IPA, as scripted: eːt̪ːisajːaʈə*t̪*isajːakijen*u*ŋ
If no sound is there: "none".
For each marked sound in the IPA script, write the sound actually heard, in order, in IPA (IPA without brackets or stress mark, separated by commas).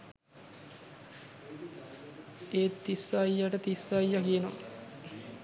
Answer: t̪, o